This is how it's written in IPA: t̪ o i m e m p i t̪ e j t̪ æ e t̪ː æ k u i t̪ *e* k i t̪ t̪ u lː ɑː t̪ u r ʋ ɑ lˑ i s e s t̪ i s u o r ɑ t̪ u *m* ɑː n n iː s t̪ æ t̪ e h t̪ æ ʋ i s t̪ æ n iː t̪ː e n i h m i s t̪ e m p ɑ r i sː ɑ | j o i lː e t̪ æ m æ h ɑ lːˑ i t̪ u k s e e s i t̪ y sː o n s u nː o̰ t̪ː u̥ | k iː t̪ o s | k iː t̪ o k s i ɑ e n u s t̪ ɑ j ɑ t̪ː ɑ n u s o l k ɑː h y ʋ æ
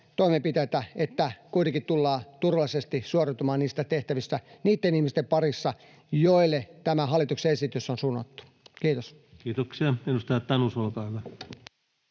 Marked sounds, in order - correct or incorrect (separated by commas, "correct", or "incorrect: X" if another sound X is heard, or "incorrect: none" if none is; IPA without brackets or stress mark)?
correct, correct